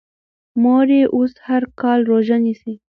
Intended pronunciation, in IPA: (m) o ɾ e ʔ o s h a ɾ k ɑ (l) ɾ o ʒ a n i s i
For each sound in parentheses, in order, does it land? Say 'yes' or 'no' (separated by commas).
yes, yes